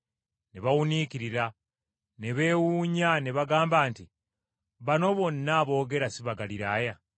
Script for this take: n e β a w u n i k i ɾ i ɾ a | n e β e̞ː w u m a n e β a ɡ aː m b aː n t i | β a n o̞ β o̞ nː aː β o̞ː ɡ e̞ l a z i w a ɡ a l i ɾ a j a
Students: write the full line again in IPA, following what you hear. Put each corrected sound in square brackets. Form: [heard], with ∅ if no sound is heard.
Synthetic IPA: n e β a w u n i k i ɾ i ɾ a | n e β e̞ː w u [ɲ] a n e β a ɡ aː m b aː n t i | β a n o̞ β o̞ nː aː β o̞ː ɡ e̞ [ɾ] a [s] i [β] a ɡ a l i ɾ a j a